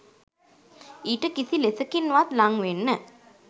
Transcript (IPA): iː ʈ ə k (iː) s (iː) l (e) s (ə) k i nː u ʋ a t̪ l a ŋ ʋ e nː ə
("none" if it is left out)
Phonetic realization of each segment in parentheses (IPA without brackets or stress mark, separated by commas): i, i, e, ə